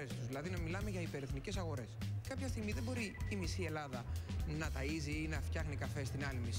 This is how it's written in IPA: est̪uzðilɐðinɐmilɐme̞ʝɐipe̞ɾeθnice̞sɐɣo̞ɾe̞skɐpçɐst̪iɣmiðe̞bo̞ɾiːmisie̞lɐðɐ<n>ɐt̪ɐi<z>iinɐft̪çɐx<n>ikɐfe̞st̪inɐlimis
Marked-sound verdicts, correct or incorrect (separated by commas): correct, correct, correct